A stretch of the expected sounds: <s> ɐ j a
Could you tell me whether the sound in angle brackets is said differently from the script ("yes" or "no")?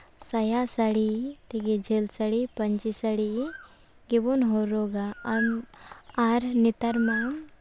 no